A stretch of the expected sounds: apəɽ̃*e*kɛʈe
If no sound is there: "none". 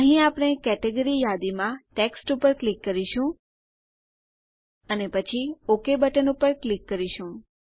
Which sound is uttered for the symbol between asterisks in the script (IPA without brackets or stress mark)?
e